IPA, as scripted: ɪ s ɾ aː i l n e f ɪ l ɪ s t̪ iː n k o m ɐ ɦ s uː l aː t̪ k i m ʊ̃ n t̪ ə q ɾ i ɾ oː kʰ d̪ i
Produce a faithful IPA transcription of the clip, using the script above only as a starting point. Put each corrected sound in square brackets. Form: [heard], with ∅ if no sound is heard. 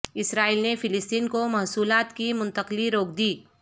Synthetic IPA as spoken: ɪ s ɾ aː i l n e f ɪ l ɪ s t̪ iː n k o m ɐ ɦ s uː l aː t̪ k i m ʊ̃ n t̪ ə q [l] i ɾ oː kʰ d̪ [iː]